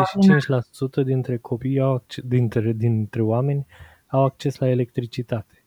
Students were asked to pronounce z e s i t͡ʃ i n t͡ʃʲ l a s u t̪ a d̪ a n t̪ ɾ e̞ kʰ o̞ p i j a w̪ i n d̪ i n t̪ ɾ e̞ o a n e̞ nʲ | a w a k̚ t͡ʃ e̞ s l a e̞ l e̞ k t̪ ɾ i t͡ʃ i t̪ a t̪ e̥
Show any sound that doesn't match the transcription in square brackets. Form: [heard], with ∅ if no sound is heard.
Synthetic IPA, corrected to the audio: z e [ʃ] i t͡ʃ i n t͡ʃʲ l a s u t̪ [ə] d̪ [i] n t̪ ɾ e̞ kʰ o̞ p i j a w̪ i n d̪ i n t̪ ɾ e̞ o a [m] e̞ nʲ | a w a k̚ t͡ʃ e̞ s l a e̞ l e̞ k t̪ ɾ i t͡ʃ i t̪ a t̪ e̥